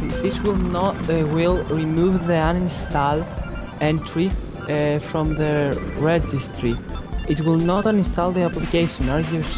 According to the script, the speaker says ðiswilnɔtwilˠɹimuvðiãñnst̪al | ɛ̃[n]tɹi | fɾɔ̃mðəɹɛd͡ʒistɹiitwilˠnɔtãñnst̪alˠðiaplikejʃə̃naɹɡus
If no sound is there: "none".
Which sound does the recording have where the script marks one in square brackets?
n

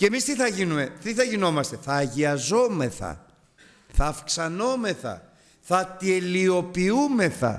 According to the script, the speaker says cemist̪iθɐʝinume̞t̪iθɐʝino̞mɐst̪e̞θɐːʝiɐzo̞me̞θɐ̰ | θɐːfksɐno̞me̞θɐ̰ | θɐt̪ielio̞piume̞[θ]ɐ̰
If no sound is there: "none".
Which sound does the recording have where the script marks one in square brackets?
θ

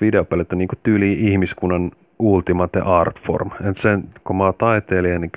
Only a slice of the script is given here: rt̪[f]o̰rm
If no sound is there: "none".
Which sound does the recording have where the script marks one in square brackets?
f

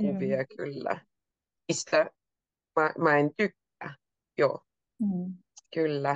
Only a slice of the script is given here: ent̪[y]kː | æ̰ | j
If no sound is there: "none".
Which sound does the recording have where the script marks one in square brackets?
y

